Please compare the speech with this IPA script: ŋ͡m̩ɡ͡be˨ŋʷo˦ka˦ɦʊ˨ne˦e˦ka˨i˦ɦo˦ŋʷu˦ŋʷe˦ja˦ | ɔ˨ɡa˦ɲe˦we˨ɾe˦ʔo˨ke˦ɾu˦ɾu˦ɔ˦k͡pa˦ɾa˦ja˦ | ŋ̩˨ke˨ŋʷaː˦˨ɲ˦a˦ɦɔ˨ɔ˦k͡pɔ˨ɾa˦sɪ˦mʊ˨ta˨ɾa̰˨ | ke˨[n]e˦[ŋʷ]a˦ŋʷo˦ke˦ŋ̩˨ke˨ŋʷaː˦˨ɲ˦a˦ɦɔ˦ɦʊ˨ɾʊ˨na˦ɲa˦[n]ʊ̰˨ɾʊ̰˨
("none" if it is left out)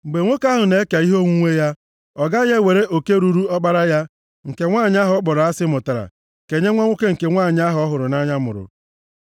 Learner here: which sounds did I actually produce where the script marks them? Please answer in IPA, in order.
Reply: ɲ, ŋʷ, m

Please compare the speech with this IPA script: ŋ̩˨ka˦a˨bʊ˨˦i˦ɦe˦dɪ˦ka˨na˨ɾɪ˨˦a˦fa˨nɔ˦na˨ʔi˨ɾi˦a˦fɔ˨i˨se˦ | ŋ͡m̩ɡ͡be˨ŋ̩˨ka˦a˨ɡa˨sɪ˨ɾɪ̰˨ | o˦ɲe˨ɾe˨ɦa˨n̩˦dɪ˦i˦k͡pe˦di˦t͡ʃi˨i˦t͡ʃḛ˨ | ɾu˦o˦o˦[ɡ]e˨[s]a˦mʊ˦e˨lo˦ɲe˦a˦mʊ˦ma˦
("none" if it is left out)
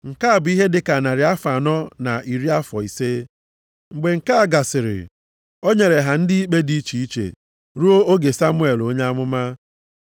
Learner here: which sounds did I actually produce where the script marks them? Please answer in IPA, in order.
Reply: ɡ, s

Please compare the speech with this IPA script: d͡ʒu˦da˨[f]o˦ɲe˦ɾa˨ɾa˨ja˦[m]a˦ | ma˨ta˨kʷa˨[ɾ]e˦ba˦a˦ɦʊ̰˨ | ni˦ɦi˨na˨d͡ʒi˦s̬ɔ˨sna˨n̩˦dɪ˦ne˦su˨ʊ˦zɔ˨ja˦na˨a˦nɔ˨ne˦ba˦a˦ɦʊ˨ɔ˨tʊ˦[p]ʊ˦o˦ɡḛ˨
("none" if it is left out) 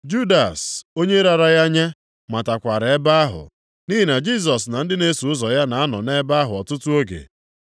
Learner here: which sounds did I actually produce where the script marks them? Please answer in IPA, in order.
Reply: s, ɲ, ɾ, t

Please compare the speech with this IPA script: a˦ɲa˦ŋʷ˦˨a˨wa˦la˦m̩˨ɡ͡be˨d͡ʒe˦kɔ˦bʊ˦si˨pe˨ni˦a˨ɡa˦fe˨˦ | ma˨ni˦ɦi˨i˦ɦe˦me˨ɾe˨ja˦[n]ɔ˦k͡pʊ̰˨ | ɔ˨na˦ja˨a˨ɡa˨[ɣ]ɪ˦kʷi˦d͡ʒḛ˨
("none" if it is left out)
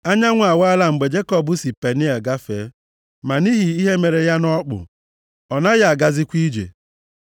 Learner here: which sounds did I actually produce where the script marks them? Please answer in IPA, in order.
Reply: n, z

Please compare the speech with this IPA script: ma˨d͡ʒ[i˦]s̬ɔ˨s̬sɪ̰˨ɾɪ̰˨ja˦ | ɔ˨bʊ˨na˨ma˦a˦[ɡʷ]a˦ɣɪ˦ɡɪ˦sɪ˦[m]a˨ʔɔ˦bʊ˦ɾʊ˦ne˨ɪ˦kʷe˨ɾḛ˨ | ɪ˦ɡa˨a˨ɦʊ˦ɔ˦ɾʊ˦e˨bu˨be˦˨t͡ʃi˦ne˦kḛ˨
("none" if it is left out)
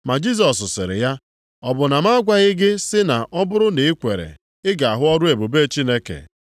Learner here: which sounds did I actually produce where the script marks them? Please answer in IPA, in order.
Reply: i˦, ɡʷ, n

